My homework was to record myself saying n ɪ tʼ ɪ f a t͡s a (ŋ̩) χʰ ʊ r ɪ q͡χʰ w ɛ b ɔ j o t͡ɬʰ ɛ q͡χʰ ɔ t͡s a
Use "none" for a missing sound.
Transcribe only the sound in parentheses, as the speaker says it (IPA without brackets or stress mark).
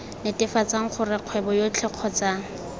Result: ŋ̩